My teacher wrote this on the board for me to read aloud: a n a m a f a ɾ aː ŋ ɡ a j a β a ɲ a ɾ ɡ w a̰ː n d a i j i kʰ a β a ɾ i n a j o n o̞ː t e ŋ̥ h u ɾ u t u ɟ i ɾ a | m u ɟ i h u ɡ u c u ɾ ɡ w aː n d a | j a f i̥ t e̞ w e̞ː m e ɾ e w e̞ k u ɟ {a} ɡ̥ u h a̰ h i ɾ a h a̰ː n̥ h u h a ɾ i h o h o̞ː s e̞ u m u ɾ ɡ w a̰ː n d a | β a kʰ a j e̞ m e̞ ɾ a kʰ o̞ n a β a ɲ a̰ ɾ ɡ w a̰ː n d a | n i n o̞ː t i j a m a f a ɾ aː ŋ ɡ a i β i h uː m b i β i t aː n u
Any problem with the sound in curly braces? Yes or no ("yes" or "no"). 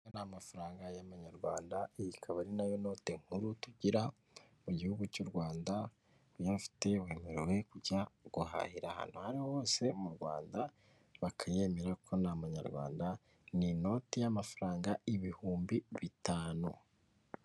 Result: no